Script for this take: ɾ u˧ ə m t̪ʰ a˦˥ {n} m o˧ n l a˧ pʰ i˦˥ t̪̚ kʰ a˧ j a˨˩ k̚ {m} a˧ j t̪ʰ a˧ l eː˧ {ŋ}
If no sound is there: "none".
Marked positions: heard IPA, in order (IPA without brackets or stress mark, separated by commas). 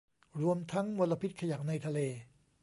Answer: ŋ, n, none